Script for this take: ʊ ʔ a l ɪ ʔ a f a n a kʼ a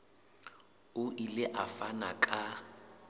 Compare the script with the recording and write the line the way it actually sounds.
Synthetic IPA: ʊ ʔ i l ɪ ʔ a f a n a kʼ a